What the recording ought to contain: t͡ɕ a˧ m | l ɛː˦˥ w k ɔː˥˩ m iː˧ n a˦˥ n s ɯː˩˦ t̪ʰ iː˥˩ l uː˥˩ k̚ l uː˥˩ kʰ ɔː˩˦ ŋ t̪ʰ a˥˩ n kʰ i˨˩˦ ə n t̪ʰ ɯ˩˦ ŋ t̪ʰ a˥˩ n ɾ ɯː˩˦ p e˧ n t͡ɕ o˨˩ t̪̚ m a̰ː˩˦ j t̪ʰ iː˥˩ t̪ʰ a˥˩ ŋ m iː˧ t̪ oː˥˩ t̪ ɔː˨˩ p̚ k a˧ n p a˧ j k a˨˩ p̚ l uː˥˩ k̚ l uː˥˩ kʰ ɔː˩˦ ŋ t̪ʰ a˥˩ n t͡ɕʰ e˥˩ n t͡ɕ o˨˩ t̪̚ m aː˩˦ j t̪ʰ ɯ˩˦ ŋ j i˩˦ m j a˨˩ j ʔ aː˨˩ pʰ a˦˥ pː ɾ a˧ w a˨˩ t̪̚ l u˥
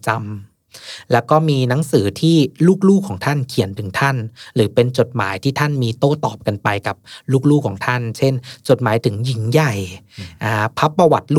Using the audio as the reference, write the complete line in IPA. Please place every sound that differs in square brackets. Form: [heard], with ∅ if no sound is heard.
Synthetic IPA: t͡ɕ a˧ m | l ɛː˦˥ w k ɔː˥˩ m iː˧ n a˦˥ [ŋ] s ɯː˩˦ t̪ʰ iː˥˩ l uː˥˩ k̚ l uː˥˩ kʰ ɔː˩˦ ŋ t̪ʰ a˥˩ n kʰ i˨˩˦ ə n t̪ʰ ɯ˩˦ ŋ t̪ʰ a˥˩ n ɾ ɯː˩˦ p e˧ n t͡ɕ o˨˩ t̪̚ m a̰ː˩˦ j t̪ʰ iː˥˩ t̪ʰ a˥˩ [n] m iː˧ t̪ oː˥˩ t̪ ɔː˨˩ p̚ k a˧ n p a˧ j k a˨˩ p̚ l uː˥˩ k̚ l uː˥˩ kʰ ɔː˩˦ ŋ t̪ʰ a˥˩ n t͡ɕʰ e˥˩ n t͡ɕ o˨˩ t̪̚ m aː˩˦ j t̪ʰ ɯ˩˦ ŋ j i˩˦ [ŋ] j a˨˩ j ʔ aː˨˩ pʰ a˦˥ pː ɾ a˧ w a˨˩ t̪̚ l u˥